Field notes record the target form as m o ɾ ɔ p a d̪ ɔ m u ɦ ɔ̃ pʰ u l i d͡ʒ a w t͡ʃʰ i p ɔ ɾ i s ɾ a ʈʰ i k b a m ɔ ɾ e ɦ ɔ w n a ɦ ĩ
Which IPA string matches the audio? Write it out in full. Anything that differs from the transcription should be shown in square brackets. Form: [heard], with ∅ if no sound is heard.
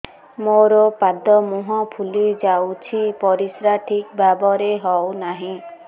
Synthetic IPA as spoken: m o ɾ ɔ p a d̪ ɔ m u ɦ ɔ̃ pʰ u l i d͡ʒ a w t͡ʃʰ i p ɔ ɾ i s ɾ a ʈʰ i k b a [b] ɔ ɾ e ɦ ɔ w n a ɦ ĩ